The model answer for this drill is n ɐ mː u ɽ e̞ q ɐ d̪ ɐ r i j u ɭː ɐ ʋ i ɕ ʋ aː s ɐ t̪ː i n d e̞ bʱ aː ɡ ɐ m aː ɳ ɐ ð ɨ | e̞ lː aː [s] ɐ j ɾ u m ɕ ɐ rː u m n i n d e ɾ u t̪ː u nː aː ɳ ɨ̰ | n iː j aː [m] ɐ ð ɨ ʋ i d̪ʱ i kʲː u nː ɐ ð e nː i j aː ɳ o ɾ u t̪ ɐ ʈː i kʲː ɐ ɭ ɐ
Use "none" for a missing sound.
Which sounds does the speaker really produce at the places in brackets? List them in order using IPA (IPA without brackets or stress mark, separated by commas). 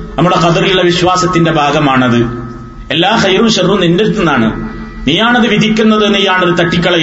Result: x, ɳ